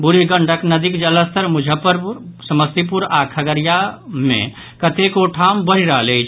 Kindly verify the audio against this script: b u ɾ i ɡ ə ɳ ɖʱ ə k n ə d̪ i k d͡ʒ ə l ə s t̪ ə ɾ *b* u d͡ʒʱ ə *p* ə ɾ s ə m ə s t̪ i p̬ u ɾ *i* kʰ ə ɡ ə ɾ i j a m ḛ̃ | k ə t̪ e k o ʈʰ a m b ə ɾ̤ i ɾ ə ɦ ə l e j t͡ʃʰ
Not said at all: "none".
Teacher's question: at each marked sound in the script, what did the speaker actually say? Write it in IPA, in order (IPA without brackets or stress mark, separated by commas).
m, p, a